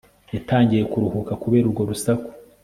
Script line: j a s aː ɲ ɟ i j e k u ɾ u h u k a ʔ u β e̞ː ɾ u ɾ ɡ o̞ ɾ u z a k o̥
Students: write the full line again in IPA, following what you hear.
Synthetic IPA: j a t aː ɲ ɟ i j e k u ɾ u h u k a k u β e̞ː ɾ u ɾ ɡ o̞ ɾ u s a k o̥

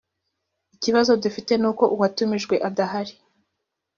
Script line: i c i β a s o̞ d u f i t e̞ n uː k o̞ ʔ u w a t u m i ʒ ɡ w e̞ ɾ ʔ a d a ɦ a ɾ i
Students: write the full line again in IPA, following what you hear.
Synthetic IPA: i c i β a z o̞ d u f i t e̞ n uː k o̞ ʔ u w a t u m i ʒ ɡ w e̞ ʔ a d a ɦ a ɾ i

